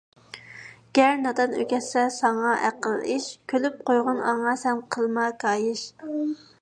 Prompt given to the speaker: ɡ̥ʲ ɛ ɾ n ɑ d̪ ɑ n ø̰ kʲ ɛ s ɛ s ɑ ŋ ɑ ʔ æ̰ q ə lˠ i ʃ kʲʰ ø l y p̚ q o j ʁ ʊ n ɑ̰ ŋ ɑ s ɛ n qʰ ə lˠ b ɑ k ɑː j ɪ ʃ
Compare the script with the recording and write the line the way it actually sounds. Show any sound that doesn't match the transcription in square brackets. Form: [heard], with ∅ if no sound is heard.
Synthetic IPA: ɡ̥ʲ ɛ ɾ n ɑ d̪ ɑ n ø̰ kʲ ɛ s ɛ s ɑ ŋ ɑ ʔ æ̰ q ə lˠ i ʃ kʲʰ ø l y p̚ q o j ʁ ʊ n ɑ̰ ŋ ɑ s ɛ n qʰ ə lˠ [m] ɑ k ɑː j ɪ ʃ